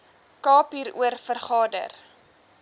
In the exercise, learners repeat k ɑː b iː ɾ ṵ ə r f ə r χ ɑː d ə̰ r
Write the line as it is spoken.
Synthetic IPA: k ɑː p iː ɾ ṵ ə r f ə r χ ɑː d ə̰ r